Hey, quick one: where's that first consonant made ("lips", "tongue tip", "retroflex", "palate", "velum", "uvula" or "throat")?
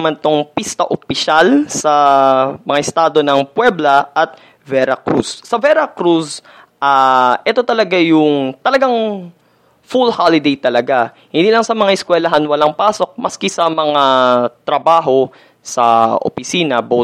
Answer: lips